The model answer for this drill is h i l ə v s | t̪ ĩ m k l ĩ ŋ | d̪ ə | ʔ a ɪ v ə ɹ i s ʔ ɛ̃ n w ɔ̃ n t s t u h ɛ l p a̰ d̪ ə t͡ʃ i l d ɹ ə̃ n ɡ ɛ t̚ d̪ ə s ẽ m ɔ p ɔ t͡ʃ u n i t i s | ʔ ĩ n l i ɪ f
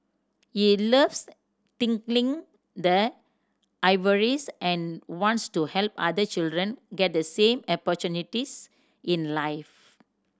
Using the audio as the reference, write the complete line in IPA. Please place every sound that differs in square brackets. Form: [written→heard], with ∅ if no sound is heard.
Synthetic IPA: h i l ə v s | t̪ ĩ [m→ŋ] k l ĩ ŋ | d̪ ə | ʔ a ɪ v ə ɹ i s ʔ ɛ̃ n w ɔ̃ n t s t u h ɛ l p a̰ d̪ ə t͡ʃ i l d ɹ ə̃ n ɡ ɛ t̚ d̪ ə s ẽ m ɔ p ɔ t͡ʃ u n i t i s | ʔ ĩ n l [i→a] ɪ f